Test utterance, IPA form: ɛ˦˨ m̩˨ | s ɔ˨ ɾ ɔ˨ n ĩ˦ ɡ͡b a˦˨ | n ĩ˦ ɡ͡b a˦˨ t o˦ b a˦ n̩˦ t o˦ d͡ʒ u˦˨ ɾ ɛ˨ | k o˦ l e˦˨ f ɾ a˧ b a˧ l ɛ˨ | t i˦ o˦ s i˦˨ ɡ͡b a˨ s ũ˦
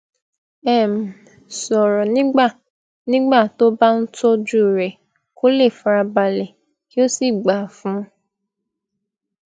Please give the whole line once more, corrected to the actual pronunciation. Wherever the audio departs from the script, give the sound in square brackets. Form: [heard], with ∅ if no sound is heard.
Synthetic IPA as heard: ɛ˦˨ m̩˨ | s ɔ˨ ɾ ɔ˨ n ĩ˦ ɡ͡b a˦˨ | n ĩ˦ ɡ͡b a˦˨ t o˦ b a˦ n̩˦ t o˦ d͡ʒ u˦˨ ɾ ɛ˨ | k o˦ l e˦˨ f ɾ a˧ b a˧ l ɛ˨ | [k] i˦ o˦ s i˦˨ ɡ͡b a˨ [f] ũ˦